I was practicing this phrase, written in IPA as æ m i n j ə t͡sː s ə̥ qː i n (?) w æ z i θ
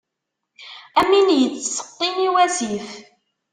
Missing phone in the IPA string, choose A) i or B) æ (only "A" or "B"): A